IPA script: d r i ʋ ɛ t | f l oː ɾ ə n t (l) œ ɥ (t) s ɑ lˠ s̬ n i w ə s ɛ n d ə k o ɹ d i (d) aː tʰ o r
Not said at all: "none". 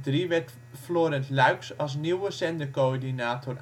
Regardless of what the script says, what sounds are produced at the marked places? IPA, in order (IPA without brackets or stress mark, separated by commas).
l, k, n